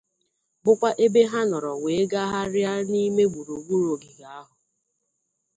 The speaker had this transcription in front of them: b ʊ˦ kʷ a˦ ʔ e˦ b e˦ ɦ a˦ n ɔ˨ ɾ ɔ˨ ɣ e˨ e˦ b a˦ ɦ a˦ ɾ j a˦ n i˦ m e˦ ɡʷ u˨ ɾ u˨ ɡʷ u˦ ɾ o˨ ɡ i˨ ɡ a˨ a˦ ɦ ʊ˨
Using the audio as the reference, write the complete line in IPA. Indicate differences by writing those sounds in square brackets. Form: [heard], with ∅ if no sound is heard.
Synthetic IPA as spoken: b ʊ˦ kʷ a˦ ʔ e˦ b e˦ ɦ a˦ n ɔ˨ ɾ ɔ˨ [w] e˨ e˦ [ɡ] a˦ ɦ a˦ ɾ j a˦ n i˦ m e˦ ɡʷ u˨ ɾ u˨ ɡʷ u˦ ɾ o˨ ɡ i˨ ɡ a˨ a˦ ɦ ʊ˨

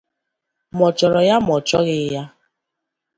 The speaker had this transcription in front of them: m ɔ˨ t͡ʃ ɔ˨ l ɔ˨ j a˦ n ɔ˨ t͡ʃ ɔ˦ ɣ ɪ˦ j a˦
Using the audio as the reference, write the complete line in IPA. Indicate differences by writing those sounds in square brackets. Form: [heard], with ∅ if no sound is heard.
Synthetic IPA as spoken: m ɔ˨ t͡ʃ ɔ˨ [ɾ] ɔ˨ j a˦ [m] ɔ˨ t͡ʃ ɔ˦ ɣ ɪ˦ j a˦

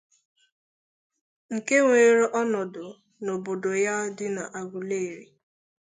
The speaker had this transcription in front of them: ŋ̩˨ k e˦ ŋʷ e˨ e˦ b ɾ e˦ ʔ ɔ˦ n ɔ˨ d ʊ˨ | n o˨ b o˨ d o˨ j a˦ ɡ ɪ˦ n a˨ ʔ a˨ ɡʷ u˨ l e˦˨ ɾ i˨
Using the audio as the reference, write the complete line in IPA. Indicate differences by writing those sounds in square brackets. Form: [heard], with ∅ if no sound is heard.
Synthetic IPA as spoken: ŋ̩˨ k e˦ ŋʷ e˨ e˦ [∅] ɾ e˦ ʔ ɔ˦ n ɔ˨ d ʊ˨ | n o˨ b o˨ d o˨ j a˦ [d] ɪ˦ n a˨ ʔ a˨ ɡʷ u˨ l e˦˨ ɾ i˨

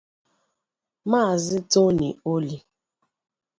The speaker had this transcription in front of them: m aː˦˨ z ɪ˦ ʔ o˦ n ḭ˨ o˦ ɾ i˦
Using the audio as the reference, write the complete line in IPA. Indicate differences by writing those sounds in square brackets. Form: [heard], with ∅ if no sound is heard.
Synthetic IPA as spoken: m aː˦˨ z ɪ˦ [t] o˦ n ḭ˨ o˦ [l] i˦

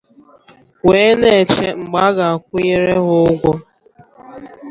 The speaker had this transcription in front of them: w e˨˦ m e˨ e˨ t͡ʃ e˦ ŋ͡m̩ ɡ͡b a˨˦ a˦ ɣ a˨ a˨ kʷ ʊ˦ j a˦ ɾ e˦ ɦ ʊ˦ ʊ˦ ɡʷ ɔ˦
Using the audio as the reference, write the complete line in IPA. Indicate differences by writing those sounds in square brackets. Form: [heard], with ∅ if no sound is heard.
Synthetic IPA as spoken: w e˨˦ [n] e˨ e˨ t͡ʃ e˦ ŋ͡m̩ ɡ͡b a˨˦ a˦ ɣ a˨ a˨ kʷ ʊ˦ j [e˦] ɾ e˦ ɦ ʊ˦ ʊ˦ ɡʷ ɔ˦

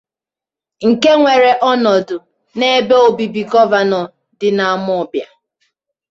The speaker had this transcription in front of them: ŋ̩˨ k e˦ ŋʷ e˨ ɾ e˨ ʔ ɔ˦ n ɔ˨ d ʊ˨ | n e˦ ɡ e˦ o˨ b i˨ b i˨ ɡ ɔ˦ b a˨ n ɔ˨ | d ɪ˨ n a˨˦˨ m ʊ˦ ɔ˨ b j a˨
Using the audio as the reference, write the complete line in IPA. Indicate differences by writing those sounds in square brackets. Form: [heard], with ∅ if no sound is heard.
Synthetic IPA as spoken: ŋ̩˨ k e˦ ŋʷ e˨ ɾ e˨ ʔ ɔ˦ n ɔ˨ d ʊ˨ | n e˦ [b] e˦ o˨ b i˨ b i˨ ɡ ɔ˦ [v] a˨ n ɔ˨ | d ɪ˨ n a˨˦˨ m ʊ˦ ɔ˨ b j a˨

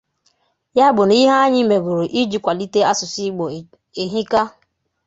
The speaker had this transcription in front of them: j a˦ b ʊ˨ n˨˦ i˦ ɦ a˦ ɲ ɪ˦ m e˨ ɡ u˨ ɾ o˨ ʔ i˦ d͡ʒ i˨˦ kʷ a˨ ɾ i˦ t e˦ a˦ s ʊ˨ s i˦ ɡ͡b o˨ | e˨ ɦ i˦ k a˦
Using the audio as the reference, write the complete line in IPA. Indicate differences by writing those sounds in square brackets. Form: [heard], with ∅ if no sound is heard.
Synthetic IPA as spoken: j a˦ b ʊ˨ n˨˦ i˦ ɦ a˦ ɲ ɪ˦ m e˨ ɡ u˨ ɾ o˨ ʔ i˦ d͡ʒ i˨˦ kʷ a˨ [l] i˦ t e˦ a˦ s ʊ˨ s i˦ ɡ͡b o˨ | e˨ ɦ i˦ k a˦

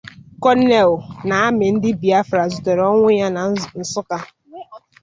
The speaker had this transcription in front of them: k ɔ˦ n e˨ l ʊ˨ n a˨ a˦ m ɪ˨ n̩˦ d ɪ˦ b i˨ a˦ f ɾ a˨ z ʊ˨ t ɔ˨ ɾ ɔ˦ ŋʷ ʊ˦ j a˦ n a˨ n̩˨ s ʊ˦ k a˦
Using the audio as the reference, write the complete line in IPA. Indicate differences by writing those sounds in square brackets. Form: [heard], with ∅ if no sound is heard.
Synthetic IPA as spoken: k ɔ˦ n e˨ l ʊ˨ n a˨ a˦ m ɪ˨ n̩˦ d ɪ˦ b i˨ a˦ f ɾ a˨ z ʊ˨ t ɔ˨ ɾ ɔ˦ ŋʷ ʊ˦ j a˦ n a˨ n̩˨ s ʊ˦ k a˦

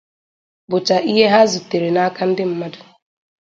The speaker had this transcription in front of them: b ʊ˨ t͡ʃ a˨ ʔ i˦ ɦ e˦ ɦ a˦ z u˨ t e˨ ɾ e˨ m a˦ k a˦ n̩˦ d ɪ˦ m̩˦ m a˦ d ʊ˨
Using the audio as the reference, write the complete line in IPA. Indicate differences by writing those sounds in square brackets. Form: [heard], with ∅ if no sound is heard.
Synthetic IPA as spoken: b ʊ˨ t͡ʃ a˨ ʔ i˦ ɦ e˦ ɦ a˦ z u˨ t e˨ ɾ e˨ [n] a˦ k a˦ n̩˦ d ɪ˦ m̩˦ m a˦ d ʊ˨

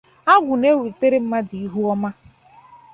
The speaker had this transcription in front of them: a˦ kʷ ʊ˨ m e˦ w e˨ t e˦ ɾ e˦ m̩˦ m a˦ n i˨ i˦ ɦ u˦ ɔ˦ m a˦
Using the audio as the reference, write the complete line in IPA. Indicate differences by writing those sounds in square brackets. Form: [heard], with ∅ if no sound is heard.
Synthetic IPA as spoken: a˦ [ɡʷ] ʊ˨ [n] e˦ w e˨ t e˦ ɾ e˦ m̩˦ m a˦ [d] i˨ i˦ ɦ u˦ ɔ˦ m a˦

